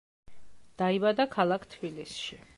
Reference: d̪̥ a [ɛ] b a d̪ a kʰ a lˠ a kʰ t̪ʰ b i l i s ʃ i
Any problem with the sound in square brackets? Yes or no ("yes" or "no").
yes